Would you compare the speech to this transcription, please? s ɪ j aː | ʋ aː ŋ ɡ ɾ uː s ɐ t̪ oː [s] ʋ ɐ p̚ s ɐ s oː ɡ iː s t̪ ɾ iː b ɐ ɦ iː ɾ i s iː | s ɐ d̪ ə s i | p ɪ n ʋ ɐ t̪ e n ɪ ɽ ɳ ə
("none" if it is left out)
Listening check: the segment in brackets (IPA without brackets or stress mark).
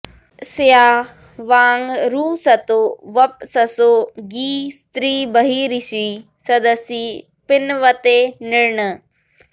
none